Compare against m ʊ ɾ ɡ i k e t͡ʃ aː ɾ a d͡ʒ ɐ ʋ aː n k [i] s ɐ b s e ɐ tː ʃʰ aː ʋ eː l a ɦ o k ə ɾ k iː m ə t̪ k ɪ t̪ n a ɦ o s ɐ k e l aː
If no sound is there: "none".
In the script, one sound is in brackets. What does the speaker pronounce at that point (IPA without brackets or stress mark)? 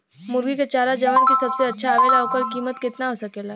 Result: i